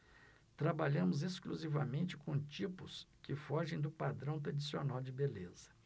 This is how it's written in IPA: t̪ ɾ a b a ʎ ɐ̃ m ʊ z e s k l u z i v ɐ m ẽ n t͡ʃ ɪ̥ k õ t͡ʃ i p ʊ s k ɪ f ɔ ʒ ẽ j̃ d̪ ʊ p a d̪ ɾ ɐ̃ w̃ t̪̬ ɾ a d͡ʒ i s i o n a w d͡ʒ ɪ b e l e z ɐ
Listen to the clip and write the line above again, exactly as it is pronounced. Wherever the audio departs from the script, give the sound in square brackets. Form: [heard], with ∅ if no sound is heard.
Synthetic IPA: t̪ ɾ a b a ʎ ɐ̃ m ʊ z e s k l u z i v ɐ m ẽ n t͡ʃ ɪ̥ k õ t͡ʃ i p ʊ s k ɪ f ɔ ʒ ẽ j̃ d̪ ʊ p a d̪ ɾ ɐ̃ w̃ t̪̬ ɾ a d͡ʒ i s i o n a w d͡ʒ ɪ b e l e z ɐ